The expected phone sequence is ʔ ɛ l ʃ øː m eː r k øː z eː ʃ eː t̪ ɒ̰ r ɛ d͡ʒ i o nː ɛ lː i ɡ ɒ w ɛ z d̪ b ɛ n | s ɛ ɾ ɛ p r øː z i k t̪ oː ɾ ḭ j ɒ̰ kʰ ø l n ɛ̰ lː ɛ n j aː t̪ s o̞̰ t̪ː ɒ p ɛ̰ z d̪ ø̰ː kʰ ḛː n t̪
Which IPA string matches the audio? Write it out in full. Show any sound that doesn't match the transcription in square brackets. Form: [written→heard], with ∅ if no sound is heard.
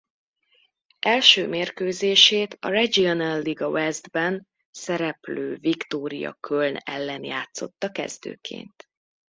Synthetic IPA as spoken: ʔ ɛ l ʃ øː m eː r k øː z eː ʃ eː t̪ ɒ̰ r ɛ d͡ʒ i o [nː→n] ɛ lː i ɡ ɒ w ɛ z d̪ b ɛ n | s ɛ ɾ ɛ p [r→l] øː [z→v] i k t̪ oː ɾ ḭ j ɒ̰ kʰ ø l n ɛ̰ lː ɛ n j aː t̪ s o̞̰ t̪ː ɒ [p→k] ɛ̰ z d̪ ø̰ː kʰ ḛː n t̪